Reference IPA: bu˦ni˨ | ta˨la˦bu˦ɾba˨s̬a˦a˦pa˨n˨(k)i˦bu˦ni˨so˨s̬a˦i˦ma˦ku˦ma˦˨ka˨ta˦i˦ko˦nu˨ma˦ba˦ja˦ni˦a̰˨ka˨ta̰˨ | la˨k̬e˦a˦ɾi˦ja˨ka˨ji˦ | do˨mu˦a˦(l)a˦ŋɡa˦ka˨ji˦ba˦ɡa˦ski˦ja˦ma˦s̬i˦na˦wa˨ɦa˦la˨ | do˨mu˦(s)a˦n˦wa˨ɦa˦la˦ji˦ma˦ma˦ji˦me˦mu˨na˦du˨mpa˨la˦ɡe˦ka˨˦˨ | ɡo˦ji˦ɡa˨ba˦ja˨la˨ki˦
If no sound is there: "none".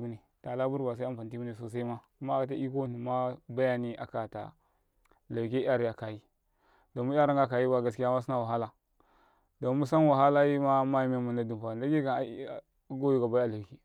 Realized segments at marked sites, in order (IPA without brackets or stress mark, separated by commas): t, ɾ, s